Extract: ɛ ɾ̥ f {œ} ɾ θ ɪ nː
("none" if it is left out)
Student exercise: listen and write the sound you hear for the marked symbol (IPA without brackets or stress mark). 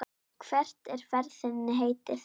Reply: ɛ